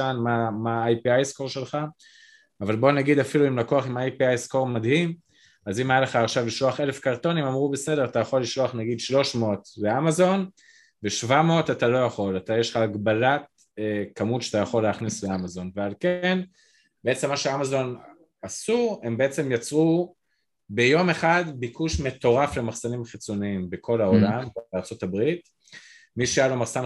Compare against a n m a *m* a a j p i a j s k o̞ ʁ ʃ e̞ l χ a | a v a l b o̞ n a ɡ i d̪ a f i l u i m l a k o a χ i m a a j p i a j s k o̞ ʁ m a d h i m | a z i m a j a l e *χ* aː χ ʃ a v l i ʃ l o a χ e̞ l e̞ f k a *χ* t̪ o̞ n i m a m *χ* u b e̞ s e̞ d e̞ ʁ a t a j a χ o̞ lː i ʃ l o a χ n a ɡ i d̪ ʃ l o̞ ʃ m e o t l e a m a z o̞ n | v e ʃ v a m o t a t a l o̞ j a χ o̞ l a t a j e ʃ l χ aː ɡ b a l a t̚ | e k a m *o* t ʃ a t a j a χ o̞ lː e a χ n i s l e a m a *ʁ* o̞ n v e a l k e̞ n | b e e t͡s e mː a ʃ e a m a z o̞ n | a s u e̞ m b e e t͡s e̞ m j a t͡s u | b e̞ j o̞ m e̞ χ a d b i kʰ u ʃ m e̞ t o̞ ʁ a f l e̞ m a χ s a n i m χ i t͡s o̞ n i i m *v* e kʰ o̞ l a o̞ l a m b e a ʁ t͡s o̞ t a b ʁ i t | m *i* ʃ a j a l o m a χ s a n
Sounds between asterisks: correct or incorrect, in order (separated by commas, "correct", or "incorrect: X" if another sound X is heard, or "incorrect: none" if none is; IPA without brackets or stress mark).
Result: correct, correct, incorrect: ʁ, incorrect: ʁ, incorrect: u, incorrect: z, incorrect: b, correct